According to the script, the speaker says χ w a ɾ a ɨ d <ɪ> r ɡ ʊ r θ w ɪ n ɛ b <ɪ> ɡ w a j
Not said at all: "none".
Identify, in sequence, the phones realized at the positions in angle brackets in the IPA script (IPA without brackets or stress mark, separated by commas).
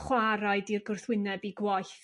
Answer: i, i